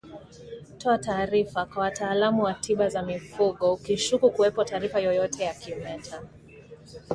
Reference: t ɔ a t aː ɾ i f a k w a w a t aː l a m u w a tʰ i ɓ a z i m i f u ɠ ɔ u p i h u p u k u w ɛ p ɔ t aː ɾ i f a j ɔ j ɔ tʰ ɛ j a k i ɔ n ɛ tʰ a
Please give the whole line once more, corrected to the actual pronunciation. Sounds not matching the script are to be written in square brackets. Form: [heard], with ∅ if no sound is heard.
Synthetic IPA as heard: t ɔ a t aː ɾ i f a k w a w a t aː l a m u w a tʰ i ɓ a z [a] m i f u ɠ ɔ u [k] i [ʃ] u [k] u k u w ɛ p ɔ t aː ɾ i f a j ɔ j ɔ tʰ ɛ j a k i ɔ [m] ɛ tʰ a